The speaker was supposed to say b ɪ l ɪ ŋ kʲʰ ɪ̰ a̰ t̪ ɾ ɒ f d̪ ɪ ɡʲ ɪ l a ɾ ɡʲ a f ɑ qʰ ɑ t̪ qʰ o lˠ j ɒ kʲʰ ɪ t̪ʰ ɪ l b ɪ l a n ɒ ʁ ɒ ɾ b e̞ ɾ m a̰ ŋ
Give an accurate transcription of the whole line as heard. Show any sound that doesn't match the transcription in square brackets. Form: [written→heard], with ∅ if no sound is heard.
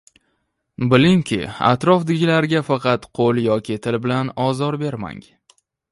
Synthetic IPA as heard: b ɪ l ɪ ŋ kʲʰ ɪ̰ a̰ t̪ ɾ ɒ f d̪ ɪ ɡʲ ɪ l a ɾ ɡʲ a f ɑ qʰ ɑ t̪ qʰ o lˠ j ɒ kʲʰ ɪ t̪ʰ ɪ l b ɪ l a n ɒ [ʁ→z] ɒ ɾ b e̞ ɾ m a̰ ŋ